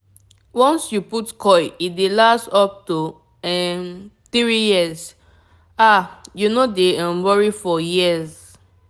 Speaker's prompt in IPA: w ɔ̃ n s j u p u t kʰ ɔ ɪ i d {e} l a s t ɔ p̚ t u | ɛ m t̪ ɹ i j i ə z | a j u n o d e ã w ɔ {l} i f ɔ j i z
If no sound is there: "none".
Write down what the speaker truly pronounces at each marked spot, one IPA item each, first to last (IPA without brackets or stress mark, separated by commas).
e, ɹ